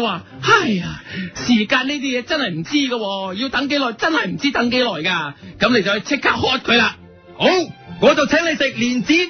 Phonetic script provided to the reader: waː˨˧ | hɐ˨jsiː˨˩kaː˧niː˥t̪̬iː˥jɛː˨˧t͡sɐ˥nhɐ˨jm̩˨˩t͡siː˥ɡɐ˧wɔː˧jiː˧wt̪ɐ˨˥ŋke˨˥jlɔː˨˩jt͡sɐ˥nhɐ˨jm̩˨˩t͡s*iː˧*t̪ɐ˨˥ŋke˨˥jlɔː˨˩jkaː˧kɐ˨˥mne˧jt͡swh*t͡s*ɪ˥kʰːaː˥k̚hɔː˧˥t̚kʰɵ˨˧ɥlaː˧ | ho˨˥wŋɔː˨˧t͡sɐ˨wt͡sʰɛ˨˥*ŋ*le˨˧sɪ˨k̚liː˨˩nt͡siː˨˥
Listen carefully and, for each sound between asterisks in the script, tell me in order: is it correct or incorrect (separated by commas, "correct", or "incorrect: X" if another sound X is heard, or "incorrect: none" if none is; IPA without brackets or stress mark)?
incorrect: iː˥, incorrect: t͡sʰ, correct